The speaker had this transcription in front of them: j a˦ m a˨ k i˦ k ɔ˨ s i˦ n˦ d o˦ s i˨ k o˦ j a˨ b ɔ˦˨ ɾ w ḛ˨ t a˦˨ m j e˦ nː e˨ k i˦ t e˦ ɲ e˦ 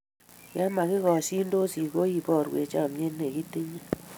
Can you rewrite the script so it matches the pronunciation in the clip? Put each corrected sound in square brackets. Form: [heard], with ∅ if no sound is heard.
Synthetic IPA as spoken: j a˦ m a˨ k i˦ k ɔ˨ s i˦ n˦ d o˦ s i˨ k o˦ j [i˨] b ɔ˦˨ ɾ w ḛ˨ [t͡ʃ] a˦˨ m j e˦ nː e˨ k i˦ t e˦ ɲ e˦